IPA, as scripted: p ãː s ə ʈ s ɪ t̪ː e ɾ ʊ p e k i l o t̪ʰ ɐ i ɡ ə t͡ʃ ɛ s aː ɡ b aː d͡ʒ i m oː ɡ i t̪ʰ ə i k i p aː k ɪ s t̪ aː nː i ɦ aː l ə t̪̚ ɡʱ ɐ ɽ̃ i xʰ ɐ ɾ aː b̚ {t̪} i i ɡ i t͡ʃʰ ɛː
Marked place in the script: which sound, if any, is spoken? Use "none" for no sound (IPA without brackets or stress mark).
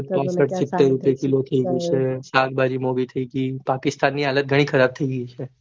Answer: t̪ʰ